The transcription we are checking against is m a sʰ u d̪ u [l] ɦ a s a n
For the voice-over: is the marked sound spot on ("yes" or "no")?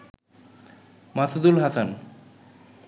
yes